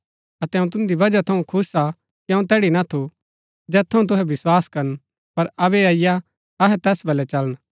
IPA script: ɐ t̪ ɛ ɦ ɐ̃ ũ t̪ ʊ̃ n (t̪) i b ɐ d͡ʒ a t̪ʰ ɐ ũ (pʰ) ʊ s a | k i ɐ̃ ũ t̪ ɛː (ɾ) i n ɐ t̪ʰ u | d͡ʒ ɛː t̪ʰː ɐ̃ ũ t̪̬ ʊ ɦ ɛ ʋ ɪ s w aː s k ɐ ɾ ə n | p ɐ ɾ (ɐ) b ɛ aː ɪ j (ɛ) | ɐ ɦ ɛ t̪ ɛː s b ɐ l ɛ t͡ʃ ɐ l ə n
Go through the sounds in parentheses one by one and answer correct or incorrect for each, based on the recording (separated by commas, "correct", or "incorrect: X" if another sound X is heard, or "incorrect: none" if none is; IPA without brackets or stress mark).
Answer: incorrect: d̪, incorrect: kʰ, incorrect: ɽ, correct, incorrect: a